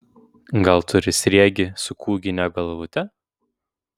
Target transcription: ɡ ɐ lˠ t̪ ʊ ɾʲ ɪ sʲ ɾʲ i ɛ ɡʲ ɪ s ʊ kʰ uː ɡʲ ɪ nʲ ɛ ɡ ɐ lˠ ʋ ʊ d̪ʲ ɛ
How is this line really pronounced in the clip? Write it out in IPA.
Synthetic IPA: ɡ ɐ lˠ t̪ ʊ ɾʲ ɪ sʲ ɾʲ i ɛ ɡʲ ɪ s ʊ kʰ uː ɡʲ ɪ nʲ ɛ ɡ ɐ lˠ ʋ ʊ t̪ʲ ɛ